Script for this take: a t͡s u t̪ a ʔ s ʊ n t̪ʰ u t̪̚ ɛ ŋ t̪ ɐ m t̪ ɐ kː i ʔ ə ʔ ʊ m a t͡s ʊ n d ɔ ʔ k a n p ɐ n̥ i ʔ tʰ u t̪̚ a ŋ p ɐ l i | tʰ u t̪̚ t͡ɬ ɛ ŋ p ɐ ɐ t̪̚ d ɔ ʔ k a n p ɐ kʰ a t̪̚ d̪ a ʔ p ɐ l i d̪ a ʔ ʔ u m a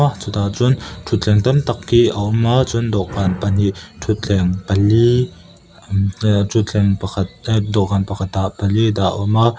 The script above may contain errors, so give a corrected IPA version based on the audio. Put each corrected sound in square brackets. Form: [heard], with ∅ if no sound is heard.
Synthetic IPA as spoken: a t͡s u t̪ a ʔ [t͡s] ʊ n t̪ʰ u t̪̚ ɛ ŋ t̪ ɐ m t̪ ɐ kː i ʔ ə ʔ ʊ m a t͡s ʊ n d ɔ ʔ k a n p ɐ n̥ i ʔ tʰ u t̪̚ [ɛ] ŋ p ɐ l i | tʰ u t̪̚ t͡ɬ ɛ ŋ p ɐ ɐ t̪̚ d ɔ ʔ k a n p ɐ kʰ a t̪̚ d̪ a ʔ p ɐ l i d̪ a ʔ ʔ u m a